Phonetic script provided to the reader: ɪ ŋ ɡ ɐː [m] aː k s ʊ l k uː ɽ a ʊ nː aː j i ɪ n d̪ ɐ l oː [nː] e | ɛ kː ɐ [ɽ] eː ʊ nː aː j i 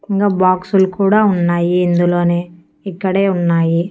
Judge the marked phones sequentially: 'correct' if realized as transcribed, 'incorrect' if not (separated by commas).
incorrect, incorrect, correct